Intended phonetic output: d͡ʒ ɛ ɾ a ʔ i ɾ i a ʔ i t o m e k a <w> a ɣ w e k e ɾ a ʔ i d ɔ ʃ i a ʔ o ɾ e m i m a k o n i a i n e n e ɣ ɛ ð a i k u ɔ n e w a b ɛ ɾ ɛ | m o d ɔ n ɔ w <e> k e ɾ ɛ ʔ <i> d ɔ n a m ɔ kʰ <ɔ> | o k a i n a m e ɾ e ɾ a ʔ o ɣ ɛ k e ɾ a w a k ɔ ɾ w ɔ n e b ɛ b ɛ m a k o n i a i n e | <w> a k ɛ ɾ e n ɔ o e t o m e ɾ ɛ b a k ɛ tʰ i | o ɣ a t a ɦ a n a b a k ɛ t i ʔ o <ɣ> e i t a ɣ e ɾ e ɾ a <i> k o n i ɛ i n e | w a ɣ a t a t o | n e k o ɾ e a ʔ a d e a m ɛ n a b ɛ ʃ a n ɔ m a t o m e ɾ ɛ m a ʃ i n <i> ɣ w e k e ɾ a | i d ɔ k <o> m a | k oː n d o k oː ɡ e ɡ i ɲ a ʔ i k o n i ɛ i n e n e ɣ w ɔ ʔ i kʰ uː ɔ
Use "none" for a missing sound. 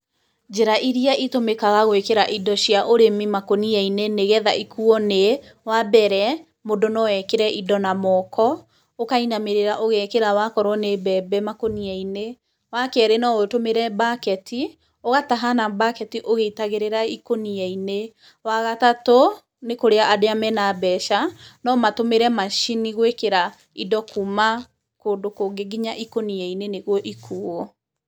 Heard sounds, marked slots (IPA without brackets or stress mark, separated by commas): ɣ, ɛ, i, ɔ, w, ɣ, i, i, u